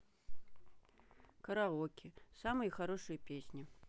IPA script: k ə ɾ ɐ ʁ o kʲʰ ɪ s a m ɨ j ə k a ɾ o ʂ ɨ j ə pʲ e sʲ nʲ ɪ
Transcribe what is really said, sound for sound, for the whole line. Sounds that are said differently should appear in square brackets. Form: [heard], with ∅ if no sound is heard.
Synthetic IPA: k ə ɾ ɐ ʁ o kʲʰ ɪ s a m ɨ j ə [x] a ɾ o ʂ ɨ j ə pʲ e sʲ nʲ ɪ